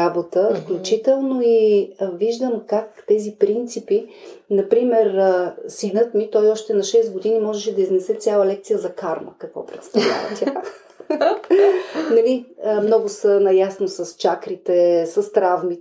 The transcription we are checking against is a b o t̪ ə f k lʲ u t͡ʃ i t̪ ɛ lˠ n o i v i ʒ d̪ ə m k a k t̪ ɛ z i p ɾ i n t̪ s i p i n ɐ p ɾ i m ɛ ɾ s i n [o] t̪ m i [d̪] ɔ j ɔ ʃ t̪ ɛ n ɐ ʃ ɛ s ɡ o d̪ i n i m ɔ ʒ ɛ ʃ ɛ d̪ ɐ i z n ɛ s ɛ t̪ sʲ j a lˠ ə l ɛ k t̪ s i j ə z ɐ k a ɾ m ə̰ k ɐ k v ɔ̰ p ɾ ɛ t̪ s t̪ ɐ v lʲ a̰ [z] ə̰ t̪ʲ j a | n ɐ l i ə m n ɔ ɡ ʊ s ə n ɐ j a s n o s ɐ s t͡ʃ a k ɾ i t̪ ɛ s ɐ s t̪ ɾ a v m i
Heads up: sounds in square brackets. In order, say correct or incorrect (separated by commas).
incorrect, incorrect, incorrect